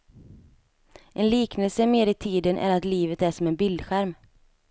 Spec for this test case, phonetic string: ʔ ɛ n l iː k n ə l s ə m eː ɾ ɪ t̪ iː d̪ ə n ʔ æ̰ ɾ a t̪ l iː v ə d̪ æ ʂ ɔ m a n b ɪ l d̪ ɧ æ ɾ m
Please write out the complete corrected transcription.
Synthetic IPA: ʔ ɛ n l iː k n ə l s ə m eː ɾ ɪ t̪ʰ iː d̪ ə n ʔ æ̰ ɾ a t̪ l iː v ə t̪ æ ʂ ɔ m ɛ n b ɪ l d̪ ɧ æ ɾ m